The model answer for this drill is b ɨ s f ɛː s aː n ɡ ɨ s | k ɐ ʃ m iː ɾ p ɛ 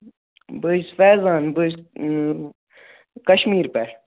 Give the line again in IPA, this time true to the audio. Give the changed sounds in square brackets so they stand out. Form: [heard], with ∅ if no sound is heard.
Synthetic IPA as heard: b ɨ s f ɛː [z] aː n [b] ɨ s | k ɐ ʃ m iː ɾ p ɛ